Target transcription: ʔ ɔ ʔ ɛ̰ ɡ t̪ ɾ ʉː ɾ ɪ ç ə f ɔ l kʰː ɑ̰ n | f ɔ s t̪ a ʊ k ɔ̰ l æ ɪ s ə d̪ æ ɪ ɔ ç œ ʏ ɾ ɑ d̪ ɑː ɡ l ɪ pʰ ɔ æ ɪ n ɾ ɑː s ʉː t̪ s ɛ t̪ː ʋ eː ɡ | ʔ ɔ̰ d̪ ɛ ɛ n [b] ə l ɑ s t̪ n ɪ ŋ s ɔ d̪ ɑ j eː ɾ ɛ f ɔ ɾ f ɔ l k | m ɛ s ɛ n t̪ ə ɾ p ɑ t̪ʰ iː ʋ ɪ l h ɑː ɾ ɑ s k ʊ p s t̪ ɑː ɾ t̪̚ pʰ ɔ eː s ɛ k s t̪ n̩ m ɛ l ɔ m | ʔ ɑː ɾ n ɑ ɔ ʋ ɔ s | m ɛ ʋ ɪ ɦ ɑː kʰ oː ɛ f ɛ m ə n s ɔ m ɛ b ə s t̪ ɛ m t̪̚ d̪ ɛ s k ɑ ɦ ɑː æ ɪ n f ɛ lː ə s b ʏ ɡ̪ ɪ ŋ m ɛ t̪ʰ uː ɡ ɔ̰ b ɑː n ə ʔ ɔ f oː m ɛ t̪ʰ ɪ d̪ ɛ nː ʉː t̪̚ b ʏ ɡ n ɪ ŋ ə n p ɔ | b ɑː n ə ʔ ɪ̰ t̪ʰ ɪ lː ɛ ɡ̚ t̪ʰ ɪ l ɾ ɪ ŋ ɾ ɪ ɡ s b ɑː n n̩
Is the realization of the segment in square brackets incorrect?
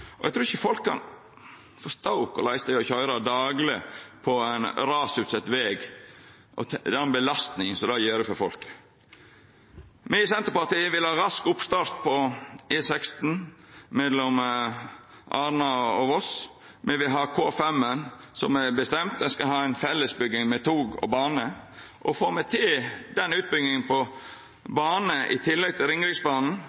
no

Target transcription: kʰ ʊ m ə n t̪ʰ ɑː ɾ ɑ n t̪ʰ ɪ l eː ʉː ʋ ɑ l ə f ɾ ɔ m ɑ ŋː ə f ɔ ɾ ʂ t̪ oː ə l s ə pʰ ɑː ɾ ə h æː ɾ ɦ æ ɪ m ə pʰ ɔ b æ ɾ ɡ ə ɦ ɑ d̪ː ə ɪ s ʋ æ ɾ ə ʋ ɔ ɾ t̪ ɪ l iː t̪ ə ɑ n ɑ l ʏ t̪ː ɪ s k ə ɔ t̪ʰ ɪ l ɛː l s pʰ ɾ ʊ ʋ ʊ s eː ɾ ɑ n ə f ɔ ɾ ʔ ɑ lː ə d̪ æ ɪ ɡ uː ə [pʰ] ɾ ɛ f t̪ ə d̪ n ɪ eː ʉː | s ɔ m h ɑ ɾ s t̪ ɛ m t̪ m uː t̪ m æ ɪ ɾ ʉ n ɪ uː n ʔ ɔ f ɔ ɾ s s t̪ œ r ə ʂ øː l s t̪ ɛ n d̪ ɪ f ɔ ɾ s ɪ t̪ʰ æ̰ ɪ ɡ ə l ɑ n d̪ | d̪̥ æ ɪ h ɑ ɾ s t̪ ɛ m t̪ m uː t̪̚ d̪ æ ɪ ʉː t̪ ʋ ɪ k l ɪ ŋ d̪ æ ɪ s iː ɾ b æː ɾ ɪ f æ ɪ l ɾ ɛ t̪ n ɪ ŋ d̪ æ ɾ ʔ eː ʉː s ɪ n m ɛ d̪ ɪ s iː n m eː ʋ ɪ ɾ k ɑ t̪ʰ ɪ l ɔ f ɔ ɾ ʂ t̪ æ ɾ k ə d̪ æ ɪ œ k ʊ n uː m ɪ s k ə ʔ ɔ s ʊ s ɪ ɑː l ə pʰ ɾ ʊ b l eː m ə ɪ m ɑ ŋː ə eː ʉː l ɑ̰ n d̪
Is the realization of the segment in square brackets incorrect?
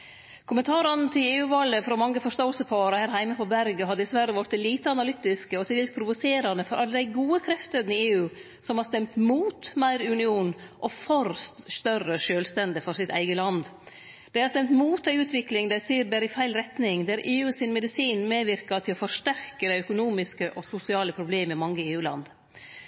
yes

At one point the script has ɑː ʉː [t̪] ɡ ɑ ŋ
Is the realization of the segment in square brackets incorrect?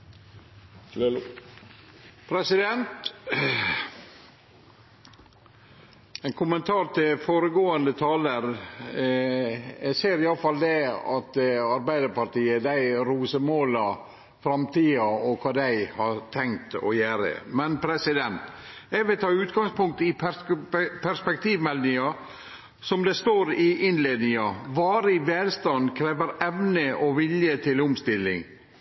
no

